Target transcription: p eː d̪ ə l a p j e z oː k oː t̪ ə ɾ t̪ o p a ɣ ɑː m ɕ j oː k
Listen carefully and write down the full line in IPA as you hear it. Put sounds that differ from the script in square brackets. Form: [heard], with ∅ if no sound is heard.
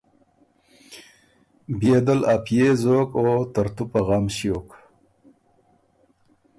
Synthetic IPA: [b] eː d̪ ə l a p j e z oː k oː t̪ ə ɾ t̪ [u] p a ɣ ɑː m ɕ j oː k